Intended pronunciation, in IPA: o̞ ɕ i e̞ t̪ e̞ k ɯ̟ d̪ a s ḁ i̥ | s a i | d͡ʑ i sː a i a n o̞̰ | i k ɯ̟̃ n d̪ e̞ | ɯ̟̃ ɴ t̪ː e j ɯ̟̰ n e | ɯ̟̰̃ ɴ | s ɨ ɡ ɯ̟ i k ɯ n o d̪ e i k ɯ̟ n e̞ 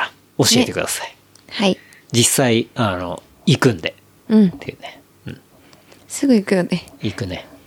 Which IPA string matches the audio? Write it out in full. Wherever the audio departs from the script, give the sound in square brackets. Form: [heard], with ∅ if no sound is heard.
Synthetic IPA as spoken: o̞ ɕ i e̞ t̪ e̞ k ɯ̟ d̪ a s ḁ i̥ | [h] a i | d͡ʑ i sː a i a n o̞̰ | i k ɯ̟̃ n d̪ e̞ | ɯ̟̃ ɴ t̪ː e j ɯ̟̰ n e | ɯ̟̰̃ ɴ | s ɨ ɡ ɯ̟ i k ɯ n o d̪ e i k ɯ̟ n e̞